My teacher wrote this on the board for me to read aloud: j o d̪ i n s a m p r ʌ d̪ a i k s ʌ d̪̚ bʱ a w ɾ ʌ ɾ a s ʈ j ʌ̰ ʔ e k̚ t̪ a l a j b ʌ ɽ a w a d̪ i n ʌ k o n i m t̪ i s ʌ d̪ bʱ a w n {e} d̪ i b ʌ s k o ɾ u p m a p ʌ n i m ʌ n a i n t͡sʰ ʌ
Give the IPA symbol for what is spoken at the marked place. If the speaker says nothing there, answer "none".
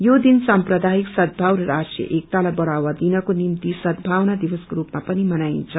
a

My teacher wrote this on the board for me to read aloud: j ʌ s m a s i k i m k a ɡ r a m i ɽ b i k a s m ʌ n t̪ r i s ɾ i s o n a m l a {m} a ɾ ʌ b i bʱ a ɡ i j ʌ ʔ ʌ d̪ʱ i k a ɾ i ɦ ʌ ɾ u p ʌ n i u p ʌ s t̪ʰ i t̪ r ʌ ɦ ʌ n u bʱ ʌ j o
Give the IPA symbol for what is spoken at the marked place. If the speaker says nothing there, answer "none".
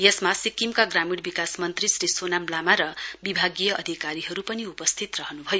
m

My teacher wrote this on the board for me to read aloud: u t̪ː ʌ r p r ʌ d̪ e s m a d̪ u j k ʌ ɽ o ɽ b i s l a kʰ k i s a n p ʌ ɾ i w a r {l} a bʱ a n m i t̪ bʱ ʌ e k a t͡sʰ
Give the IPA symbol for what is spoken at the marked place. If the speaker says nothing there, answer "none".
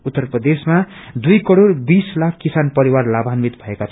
l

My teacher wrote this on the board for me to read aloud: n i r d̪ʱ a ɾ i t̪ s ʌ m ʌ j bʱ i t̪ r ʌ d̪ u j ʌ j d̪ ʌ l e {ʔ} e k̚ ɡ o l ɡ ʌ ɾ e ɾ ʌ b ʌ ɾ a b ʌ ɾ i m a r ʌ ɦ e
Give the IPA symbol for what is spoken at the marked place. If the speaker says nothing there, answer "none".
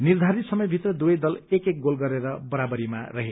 k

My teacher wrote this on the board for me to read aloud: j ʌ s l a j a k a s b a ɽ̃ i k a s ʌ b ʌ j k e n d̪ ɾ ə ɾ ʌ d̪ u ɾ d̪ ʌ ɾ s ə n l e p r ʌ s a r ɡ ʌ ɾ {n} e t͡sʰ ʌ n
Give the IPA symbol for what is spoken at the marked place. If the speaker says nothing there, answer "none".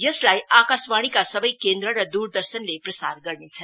n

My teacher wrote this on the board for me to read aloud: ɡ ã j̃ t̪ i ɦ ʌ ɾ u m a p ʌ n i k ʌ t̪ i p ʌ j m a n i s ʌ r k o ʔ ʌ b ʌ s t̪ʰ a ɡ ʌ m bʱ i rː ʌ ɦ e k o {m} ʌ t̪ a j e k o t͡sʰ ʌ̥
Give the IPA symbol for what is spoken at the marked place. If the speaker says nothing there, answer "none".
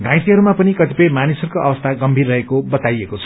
b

